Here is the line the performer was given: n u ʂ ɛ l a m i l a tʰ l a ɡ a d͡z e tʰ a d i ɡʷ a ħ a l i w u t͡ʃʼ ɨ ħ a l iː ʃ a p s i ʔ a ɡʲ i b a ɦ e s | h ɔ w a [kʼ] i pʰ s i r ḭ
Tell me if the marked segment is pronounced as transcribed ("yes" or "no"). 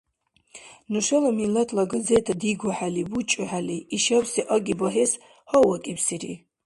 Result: yes